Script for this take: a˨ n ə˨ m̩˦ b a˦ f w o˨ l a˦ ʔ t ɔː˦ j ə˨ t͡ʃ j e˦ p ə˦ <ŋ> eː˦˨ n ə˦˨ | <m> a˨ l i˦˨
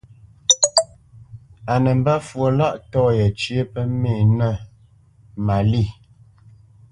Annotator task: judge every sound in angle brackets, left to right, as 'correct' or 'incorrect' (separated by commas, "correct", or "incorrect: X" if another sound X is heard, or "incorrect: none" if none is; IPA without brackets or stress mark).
incorrect: m, correct